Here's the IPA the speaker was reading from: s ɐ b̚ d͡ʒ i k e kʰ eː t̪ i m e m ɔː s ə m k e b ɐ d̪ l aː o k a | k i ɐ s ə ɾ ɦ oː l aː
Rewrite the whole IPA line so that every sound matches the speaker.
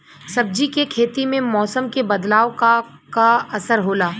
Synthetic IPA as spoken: s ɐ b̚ d͡ʒ i k e kʰ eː t̪ i m ẽ m ɔː s ə m k e b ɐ d̪ l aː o k a | k a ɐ s ə ɾ ɦ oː l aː